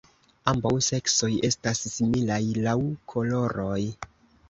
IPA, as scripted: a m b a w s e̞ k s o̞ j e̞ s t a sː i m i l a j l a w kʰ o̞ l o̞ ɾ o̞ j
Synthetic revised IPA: a m b a w s e̞ k s o̞ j e̞ s t a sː i m i l a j l a w kʰ o̞ l o̞ ɾ o̞ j